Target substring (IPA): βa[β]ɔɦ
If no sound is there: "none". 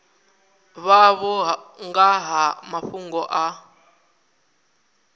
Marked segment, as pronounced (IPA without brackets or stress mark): β